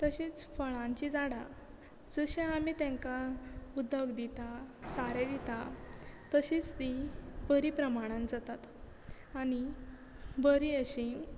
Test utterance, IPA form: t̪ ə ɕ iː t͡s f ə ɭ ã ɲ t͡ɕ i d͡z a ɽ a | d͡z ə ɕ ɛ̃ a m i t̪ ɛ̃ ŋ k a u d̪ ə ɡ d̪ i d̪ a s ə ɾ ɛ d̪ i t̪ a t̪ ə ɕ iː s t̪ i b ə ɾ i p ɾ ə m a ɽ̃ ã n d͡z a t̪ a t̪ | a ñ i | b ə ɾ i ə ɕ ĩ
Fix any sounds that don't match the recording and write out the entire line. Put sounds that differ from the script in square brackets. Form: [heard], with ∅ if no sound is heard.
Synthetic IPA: t̪ ə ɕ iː t͡s f ə ɭ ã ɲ t͡ɕ i d͡z a ɽ a | d͡z ə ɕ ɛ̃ a m i t̪ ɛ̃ ŋ k a u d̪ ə ɡ d̪ i [t̪] a s [a] ɾ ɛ d̪ i t̪ a t̪ ə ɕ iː [t͡s] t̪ i b ə ɾ i p ɾ ə m a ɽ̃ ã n d͡z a t̪ a t̪ | a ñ i | b ə ɾ i ə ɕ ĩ